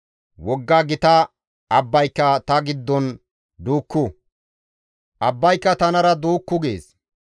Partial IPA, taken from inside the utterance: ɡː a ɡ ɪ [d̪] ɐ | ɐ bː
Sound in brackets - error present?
yes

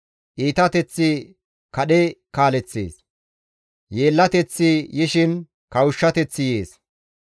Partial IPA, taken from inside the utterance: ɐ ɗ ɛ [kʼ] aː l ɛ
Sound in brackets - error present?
yes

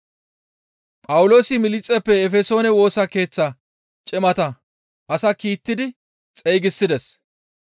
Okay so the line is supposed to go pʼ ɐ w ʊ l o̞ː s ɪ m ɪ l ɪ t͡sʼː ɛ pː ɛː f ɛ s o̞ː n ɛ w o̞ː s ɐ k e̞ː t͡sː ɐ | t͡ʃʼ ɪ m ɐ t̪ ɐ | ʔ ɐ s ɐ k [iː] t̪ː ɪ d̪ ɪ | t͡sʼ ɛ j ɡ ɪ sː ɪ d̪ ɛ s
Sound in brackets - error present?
no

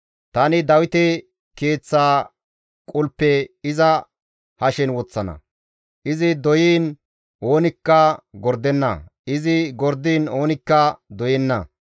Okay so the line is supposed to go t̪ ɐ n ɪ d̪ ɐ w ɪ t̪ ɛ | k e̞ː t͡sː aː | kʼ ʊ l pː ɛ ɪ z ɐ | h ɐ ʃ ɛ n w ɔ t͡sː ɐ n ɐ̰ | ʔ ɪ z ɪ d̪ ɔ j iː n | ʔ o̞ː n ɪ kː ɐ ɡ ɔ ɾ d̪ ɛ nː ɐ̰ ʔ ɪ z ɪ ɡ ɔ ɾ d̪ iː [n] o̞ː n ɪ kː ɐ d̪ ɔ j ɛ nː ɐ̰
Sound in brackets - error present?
no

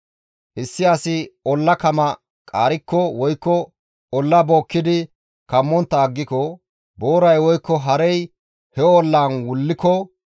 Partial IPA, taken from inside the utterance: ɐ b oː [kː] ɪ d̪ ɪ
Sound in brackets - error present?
no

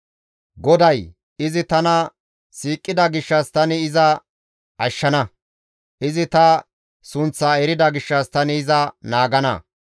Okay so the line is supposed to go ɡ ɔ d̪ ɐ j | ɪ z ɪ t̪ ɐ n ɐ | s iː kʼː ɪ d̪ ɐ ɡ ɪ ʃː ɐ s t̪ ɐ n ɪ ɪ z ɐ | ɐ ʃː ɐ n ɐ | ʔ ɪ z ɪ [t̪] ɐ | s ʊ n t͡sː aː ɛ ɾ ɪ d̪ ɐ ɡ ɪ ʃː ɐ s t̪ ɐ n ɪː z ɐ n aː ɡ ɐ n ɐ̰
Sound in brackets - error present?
no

